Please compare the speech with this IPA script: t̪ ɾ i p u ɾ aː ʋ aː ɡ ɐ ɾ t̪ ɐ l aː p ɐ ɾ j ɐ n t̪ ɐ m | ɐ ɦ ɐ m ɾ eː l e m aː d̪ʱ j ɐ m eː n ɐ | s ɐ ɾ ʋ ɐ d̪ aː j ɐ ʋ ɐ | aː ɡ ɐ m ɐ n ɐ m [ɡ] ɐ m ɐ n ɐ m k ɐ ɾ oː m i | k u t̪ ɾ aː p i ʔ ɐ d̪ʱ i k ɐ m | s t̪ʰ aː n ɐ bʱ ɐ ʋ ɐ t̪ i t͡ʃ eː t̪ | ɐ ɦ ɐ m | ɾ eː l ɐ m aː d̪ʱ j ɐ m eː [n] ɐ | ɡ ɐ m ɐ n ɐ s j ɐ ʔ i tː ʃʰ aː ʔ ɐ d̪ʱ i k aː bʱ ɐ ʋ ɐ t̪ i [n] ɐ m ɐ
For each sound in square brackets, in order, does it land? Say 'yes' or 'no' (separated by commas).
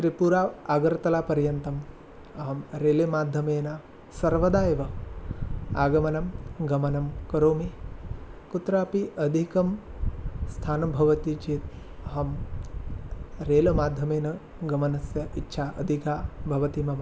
yes, yes, no